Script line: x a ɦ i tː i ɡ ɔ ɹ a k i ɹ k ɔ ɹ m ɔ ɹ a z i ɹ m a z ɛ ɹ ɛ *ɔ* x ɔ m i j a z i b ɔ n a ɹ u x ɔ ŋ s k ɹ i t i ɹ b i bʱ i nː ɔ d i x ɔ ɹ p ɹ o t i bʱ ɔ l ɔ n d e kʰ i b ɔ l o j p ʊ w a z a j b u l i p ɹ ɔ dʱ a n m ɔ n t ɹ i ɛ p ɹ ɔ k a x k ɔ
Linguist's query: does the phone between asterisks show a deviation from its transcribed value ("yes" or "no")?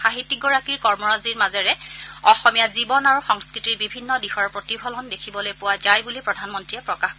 no